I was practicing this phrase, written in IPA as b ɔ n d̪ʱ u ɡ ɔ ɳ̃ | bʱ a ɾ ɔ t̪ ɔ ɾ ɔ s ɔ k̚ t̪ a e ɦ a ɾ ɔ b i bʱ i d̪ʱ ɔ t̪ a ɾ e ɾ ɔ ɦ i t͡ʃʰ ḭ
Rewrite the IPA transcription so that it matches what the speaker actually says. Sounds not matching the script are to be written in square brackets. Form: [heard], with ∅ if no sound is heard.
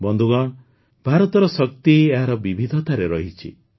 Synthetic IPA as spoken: b ɔ n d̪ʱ u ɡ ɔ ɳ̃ | bʱ a ɾ ɔ t̪ ɔ ɾ ɔ s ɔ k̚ t̪ [i] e ɦ a ɾ ɔ b i bʱ i d̪ʱ ɔ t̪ a ɾ e ɾ ɔ ɦ i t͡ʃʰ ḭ